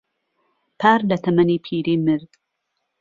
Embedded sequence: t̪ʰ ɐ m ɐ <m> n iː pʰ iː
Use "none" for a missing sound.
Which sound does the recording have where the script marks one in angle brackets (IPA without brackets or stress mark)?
none